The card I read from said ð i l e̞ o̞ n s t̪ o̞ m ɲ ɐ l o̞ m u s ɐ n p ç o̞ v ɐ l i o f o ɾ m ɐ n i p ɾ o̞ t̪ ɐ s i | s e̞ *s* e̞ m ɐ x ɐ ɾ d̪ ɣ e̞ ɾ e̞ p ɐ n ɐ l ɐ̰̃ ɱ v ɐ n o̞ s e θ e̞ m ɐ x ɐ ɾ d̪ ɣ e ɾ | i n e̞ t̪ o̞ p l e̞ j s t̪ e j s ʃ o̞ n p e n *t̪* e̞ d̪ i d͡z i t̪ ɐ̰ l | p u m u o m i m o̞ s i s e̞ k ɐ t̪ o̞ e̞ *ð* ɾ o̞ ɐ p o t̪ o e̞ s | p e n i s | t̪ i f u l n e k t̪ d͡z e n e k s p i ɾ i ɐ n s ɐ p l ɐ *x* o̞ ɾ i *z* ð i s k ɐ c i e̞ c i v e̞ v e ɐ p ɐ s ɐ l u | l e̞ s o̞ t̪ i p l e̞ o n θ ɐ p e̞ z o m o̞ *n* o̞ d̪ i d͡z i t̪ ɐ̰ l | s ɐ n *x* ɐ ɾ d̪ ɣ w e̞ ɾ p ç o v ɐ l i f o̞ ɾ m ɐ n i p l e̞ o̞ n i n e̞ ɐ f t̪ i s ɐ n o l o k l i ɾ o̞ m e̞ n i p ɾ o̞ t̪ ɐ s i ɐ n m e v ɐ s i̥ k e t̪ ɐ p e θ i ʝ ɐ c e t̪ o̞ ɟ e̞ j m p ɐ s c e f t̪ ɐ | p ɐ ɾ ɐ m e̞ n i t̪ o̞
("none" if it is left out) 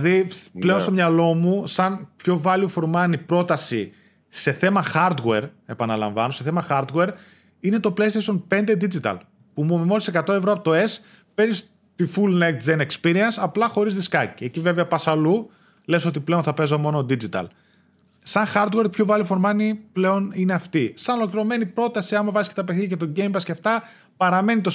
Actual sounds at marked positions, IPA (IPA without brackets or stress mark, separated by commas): θ, d̪, v, x, z, n, x